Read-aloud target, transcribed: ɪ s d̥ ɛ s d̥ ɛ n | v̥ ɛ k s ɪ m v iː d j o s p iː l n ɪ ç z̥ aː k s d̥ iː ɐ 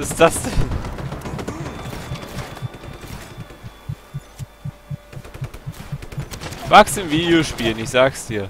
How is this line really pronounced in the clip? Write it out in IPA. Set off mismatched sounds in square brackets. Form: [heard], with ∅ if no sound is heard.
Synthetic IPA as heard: ɪ s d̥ [a] s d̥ ɛ n | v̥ [a] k s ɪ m v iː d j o [ʃ] p iː l n ɪ ç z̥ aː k s d̥ iː ɐ